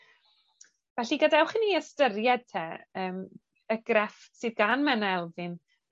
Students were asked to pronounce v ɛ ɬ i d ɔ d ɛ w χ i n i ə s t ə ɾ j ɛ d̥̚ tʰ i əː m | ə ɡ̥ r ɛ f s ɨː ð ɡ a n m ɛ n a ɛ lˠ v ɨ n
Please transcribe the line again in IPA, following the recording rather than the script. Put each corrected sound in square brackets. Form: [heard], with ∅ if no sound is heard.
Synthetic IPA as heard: v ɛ ɬ i [ɡ] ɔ d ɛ w χ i n i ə s t ə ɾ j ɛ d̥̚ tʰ [ɛ] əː m | ə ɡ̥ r ɛ f s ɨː ð ɡ a n m ɛ n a ɛ lˠ v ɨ n